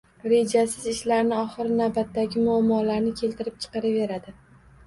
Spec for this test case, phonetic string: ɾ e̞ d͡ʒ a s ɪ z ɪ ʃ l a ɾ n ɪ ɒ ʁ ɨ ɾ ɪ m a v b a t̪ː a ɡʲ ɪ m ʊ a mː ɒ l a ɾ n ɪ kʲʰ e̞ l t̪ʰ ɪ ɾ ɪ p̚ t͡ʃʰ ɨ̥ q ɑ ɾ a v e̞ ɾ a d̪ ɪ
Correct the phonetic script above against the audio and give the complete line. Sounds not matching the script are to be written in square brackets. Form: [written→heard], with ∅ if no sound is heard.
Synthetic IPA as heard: ɾ e̞ d͡ʒ a s ɪ z ɪ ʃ l a ɾ n ɪ ɒ [ʁ→χ] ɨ ɾ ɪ [m→n] a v b a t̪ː a ɡʲ ɪ m ʊ a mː ɒ l a ɾ n ɪ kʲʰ e̞ l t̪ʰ ɪ ɾ ɪ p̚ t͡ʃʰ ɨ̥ q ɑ ɾ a v e̞ ɾ a d̪ ɪ